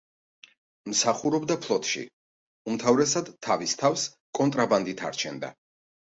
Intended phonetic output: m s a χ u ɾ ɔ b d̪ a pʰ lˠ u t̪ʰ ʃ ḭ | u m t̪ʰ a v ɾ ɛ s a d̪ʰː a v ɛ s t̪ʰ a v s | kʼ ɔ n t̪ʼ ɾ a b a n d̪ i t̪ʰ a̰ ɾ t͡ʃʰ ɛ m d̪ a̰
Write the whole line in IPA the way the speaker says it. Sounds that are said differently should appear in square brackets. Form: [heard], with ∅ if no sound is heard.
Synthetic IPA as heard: m s a χ u ɾ ɔ b d̪ a pʰ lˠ [ɔ] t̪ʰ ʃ ḭ | u m t̪ʰ a v ɾ ɛ s a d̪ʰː a v [i] s t̪ʰ a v s | kʼ ɔ n t̪ʼ ɾ a b a n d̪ i t̪ʰ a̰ ɾ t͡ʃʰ ɛ [n] d̪ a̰